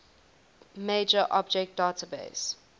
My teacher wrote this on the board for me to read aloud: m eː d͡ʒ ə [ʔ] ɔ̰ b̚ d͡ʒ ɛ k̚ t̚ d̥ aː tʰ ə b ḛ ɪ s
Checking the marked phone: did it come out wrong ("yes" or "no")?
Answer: no